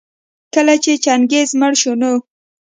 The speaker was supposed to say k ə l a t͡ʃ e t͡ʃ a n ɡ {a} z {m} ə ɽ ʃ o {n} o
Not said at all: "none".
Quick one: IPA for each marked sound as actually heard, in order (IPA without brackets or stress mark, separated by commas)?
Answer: e, m, n